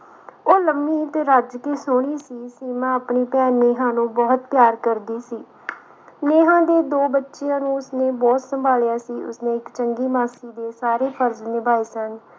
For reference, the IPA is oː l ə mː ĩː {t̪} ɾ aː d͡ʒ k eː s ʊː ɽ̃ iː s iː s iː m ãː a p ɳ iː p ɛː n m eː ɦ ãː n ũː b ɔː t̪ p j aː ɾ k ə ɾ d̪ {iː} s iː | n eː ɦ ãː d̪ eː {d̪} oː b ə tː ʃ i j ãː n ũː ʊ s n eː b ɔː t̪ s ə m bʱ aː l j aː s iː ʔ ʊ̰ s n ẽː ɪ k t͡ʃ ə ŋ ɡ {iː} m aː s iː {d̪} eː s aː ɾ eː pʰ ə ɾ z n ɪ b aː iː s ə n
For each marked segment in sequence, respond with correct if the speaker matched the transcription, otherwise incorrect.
correct, correct, correct, correct, correct

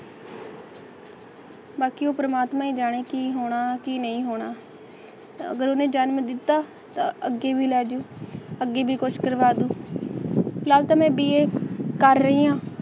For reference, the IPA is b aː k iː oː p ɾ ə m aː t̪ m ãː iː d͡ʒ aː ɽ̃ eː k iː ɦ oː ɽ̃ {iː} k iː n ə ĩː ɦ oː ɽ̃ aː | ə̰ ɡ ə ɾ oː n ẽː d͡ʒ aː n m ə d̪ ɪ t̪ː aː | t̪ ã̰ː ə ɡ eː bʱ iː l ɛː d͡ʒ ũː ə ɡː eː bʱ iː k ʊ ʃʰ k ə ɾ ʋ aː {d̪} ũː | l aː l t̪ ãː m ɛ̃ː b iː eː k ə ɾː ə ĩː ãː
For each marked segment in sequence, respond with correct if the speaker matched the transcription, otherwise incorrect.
incorrect: aː, correct

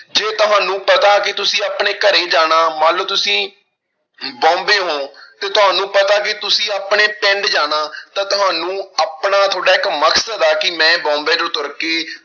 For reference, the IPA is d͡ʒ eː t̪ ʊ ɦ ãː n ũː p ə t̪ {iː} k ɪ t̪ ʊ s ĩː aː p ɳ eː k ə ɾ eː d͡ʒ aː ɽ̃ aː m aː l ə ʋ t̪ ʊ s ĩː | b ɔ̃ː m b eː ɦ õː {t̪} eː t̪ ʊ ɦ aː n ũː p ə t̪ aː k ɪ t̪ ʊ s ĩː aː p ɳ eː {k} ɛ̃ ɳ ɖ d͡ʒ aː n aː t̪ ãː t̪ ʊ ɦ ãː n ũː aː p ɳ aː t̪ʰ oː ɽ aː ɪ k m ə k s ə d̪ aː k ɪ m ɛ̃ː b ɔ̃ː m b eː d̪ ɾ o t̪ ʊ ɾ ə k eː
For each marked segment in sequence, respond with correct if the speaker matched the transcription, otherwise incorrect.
incorrect: aː, correct, incorrect: p

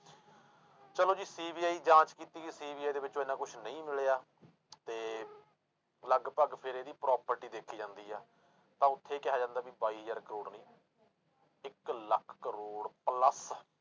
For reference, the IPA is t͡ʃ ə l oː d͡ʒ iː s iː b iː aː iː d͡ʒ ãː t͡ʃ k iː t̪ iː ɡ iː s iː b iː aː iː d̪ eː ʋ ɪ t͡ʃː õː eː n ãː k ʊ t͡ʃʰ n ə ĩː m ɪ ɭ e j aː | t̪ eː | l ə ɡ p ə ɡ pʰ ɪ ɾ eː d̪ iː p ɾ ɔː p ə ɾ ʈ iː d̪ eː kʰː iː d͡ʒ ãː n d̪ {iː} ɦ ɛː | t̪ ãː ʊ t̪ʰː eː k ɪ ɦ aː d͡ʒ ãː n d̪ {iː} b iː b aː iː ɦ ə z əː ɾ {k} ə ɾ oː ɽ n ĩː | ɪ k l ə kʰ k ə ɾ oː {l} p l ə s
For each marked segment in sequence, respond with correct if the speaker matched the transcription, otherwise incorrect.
correct, incorrect: aː, correct, incorrect: ɽ

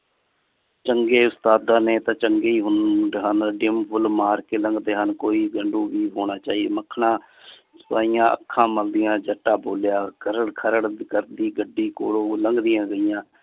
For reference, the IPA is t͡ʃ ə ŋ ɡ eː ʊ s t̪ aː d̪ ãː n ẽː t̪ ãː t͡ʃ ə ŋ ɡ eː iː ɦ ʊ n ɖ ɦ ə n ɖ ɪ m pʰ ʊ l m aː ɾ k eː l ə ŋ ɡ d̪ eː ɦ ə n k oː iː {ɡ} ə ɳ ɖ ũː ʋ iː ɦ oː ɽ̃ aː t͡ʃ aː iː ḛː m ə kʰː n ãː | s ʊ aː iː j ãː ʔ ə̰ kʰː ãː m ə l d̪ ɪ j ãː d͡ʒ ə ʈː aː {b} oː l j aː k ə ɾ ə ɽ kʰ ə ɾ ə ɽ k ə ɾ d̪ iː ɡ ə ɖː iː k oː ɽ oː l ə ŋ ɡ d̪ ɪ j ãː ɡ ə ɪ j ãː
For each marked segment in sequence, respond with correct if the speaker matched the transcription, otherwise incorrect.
correct, correct

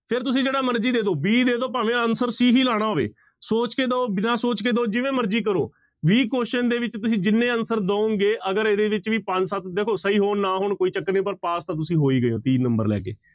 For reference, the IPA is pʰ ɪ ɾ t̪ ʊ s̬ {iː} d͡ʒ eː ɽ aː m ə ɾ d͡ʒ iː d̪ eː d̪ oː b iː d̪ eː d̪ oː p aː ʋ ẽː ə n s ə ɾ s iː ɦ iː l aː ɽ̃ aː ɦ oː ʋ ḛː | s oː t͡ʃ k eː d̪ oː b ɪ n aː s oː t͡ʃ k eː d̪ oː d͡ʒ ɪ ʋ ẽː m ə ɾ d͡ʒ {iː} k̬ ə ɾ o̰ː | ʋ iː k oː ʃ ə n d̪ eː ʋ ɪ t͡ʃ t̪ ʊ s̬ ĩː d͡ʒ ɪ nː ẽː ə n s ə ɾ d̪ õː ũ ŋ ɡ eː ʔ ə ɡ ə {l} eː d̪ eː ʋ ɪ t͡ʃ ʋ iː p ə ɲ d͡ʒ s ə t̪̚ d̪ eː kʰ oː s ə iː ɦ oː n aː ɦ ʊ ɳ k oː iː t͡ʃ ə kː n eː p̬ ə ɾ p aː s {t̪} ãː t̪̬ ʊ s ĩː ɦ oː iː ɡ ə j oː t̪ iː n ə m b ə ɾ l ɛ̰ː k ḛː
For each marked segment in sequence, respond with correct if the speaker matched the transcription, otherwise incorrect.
incorrect: ĩː, correct, incorrect: ɾ, correct

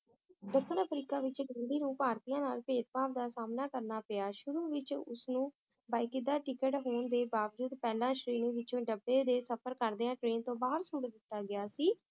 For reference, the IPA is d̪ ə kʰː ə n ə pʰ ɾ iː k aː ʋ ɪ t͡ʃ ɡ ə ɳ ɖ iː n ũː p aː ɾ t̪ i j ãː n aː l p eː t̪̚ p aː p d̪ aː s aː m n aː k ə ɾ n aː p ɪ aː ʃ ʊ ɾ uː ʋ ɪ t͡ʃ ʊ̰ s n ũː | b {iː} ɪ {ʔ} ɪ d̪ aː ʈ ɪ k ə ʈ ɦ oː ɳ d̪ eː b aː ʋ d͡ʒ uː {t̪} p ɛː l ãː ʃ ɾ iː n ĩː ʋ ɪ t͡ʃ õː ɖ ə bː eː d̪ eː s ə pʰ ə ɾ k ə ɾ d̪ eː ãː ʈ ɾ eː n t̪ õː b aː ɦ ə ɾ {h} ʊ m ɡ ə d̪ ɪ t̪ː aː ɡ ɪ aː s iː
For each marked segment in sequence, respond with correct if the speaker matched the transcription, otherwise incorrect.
incorrect: aː, incorrect: k, incorrect: d̪, incorrect: s

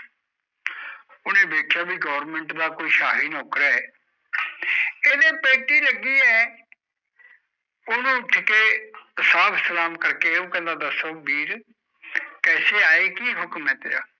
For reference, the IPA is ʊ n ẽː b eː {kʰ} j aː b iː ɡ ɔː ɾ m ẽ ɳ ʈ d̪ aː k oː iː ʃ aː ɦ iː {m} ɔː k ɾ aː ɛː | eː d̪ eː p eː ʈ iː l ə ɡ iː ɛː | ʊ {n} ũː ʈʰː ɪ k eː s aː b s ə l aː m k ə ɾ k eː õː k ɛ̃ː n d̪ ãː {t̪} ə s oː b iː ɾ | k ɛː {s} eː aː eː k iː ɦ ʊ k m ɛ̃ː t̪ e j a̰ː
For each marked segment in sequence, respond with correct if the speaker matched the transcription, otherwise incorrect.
correct, incorrect: n, correct, incorrect: d̪, correct

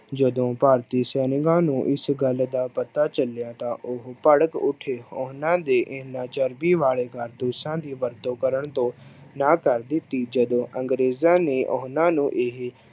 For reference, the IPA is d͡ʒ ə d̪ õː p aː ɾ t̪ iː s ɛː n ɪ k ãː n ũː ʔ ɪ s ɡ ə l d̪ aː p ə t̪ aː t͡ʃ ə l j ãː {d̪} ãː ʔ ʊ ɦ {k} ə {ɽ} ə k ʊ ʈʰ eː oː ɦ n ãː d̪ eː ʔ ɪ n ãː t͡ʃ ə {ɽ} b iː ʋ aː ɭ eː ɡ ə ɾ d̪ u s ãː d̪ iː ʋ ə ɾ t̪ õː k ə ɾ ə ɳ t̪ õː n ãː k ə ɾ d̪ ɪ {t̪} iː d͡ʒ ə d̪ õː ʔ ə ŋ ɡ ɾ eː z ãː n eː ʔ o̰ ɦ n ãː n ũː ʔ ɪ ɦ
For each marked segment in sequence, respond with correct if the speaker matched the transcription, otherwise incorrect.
incorrect: t̪, incorrect: p, correct, incorrect: ɾ, correct

